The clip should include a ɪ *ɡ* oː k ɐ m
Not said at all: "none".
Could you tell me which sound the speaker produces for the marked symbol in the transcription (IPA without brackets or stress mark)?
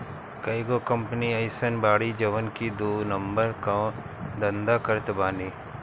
ɡ